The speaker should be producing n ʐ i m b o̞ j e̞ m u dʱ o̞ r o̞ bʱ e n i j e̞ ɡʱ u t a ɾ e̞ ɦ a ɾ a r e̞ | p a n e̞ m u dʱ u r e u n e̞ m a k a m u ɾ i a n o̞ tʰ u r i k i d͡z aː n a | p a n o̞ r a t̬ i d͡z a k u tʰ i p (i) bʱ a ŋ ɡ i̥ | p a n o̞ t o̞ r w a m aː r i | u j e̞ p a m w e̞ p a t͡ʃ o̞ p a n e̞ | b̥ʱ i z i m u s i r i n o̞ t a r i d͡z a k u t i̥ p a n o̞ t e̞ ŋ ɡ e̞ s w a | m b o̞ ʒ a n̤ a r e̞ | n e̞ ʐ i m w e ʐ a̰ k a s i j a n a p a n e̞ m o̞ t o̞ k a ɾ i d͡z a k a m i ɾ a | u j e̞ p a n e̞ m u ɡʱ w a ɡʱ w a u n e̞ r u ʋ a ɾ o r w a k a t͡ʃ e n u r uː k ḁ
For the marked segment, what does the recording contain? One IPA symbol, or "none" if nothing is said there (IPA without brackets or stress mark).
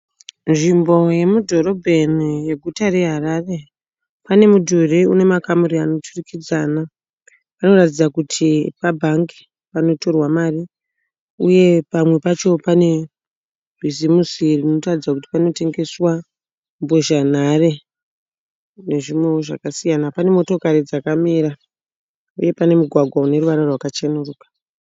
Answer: a